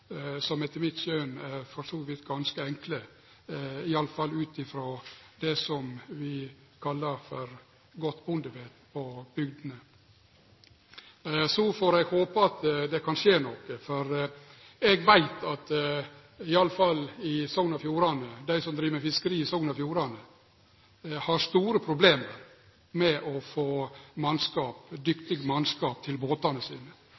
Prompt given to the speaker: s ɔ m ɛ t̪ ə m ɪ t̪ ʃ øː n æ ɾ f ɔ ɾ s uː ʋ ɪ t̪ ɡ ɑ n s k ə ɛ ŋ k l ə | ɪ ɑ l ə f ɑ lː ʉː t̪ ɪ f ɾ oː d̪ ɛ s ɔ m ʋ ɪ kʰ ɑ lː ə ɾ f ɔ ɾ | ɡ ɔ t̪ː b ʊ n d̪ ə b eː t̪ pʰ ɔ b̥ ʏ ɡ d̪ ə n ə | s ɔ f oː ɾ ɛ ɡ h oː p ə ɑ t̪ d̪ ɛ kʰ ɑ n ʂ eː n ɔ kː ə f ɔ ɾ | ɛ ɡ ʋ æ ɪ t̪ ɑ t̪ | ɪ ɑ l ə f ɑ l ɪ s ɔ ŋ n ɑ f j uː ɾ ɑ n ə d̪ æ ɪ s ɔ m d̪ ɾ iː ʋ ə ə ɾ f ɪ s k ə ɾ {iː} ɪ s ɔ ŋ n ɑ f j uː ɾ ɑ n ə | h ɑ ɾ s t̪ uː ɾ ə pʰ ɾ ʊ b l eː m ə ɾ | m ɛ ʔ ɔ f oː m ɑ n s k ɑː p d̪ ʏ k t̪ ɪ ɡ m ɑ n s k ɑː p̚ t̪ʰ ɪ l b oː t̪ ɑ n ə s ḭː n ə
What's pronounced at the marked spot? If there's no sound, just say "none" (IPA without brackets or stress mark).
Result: iː